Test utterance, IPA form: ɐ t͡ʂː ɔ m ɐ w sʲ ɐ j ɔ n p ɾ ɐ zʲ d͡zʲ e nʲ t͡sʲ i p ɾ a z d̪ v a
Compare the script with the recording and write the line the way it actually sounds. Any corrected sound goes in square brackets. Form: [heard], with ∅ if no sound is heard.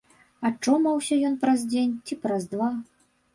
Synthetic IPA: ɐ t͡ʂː ɔ m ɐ w sʲ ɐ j ɔ n p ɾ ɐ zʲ d͡zʲ e nʲ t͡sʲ i p ɾ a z d̪ v a